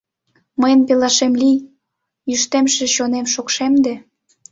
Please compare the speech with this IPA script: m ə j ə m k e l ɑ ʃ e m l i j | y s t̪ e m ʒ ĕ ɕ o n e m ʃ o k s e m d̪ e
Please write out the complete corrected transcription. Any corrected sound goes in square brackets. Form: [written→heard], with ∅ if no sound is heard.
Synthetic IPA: m ə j ə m [k→p] e l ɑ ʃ e m l i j | y [s→ʃ] t̪ e m [ʒ→ʃ] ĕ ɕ o n e m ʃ o k [s→ʃ] e m d̪ e